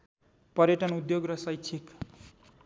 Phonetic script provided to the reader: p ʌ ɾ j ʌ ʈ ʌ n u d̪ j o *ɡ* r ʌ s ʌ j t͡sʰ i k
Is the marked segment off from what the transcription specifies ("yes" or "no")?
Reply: no